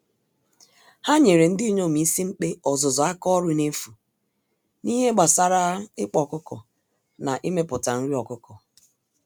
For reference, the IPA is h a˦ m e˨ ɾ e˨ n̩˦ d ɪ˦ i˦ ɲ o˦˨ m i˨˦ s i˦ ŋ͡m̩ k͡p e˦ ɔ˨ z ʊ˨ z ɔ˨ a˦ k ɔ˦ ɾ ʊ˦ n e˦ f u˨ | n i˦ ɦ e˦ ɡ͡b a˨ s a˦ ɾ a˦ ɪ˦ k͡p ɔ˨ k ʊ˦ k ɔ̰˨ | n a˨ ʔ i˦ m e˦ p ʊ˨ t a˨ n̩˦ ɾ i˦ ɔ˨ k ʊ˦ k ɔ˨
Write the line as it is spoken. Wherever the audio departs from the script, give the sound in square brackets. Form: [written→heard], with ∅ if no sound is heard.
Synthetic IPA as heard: h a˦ [m→ɲ] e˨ ɾ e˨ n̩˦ d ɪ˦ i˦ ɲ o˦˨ m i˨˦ s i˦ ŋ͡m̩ k͡p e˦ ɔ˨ z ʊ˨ z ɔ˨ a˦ k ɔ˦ ɾ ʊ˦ n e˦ f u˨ | n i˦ ɦ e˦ ɡ͡b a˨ s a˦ ɾ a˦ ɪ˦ k͡p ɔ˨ k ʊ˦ k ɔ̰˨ | n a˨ ʔ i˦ m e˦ p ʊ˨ t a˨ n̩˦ ɾ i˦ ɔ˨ k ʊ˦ k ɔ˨